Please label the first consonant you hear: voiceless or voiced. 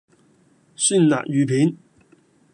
voiceless